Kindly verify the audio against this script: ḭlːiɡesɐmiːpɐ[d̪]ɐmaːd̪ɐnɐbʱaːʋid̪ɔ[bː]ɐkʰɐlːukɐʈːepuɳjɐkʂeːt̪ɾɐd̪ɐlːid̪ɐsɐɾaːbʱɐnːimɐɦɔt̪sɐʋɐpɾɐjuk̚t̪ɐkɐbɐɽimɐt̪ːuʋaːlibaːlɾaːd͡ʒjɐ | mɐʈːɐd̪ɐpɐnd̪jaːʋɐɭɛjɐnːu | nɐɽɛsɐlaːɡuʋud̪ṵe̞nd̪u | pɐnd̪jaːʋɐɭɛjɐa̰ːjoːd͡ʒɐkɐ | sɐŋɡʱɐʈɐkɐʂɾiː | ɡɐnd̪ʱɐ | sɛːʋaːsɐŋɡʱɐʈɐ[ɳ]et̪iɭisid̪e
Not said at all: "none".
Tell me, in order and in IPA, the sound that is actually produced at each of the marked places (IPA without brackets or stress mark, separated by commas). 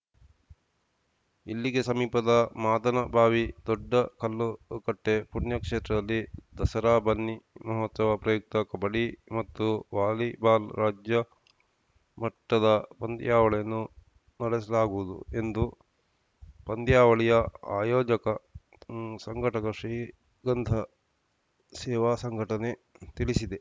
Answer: d̪, ɖː, n